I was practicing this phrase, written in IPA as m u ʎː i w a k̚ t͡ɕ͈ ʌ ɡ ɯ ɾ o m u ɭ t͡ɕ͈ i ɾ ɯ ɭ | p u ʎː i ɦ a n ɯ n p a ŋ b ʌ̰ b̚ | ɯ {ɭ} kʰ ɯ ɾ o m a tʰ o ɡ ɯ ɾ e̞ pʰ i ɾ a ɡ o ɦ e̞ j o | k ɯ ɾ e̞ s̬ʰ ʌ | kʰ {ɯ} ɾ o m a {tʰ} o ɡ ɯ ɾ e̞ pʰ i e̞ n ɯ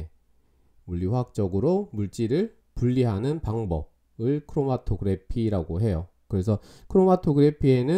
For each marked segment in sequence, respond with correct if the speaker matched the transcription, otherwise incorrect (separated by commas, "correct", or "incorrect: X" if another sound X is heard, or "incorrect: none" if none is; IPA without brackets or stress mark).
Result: correct, correct, correct